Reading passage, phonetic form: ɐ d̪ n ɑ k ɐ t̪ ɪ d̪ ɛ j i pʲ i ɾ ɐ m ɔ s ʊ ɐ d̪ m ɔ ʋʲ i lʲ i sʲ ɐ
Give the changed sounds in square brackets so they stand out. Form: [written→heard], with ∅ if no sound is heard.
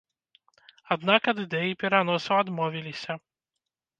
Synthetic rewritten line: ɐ d̪ n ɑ k ɐ [t̪→d̪] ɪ d̪ ɛ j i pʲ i ɾ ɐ [m→n] ɔ s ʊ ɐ d̪ m ɔ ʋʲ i lʲ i sʲ ɐ